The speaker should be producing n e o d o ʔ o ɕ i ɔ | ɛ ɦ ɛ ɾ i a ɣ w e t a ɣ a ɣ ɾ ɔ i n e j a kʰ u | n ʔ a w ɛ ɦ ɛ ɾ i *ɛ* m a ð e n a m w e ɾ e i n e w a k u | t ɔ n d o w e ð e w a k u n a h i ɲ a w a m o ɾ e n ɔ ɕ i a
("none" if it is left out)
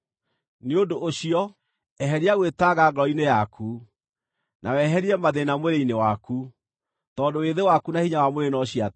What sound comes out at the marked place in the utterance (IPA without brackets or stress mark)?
ɛ